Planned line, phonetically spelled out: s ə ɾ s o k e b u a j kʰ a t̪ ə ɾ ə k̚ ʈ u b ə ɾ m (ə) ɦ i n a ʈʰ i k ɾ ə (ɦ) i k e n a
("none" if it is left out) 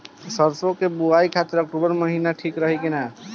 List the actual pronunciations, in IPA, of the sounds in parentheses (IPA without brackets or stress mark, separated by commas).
ə, ɦ